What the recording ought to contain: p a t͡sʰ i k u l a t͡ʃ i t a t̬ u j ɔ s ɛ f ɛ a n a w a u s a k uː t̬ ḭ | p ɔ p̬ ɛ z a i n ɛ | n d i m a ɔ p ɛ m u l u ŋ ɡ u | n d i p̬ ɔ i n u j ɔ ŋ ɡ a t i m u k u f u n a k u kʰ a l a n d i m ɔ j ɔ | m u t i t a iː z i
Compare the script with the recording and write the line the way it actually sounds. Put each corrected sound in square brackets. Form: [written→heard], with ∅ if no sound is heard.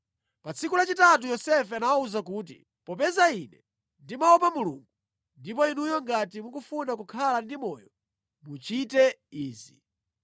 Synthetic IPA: p a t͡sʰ i k u l a t͡ʃ i t a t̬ u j ɔ s ɛ f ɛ a n a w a u [s→z] a k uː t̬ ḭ | p ɔ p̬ ɛ z a i n ɛ | n d i m a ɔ p [ɛ→a] m u l u ŋ ɡ u | n d i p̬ ɔ i n u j ɔ ŋ ɡ a t i m u k u f u n a k u kʰ a l a n d i m ɔ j ɔ | m u [t→t͡ʃ] i t [a→ɛ] iː z i